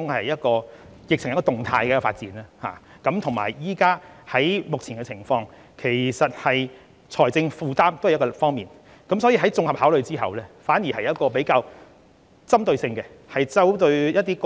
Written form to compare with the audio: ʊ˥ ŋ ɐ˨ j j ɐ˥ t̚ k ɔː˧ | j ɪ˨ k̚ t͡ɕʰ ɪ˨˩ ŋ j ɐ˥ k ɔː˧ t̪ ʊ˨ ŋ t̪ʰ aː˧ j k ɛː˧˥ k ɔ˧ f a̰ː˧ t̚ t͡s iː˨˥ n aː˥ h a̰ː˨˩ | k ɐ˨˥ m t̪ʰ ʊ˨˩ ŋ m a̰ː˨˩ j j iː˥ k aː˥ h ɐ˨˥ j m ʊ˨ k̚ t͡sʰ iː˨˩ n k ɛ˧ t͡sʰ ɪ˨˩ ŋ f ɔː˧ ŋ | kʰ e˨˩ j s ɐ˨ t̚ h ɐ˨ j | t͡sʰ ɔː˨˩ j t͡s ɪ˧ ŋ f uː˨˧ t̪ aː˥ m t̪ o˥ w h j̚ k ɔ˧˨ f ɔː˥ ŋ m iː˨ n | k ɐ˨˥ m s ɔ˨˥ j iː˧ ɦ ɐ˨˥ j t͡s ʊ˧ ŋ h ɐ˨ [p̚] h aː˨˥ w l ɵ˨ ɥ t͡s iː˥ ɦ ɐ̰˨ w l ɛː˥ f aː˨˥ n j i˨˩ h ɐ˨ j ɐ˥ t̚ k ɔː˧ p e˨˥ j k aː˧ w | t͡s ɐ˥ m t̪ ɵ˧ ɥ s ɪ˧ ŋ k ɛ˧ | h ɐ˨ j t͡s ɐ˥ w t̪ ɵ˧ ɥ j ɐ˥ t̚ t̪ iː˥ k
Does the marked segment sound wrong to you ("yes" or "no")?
no